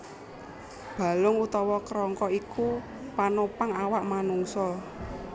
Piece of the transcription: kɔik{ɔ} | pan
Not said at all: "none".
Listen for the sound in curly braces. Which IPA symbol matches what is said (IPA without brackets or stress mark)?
u